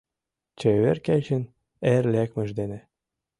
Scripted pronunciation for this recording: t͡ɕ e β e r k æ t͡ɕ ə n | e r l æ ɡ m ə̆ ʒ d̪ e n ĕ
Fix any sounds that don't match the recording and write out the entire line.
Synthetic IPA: t͡ɕ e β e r k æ t͡ɕ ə n | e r l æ k m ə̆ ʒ d̪ e n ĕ